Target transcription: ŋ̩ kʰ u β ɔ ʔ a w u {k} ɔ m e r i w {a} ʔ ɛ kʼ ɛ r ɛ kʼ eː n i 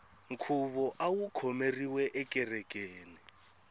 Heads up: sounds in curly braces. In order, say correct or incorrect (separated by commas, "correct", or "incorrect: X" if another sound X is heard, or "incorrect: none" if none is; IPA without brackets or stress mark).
incorrect: kʰ, incorrect: ɛ